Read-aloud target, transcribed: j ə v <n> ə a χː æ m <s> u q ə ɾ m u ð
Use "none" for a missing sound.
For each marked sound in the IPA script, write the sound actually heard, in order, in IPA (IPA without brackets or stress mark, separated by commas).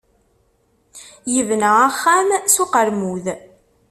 n, s